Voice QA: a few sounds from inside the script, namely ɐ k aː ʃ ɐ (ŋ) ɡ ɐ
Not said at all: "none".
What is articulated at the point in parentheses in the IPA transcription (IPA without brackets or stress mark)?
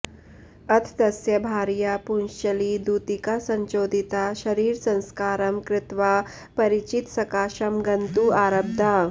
m